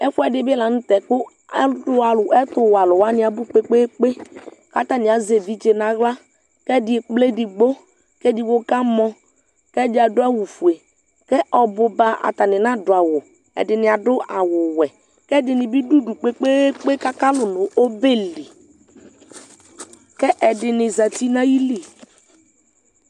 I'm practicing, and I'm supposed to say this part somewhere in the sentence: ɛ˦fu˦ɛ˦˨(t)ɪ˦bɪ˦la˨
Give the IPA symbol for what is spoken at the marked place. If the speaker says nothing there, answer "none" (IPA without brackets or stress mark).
d